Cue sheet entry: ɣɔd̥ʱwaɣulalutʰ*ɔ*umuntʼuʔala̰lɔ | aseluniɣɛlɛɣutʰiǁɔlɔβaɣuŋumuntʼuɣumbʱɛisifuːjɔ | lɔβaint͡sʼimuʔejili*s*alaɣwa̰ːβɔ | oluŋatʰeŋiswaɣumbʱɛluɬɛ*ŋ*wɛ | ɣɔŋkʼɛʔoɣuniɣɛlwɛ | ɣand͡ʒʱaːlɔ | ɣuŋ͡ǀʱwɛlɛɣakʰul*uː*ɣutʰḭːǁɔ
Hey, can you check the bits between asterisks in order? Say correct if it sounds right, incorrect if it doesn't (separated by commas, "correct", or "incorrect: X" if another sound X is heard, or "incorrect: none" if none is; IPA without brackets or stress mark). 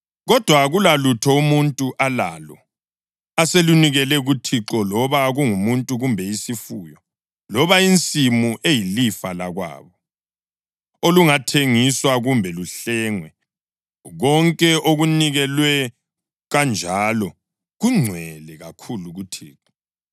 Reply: correct, incorrect: f, correct, incorrect: u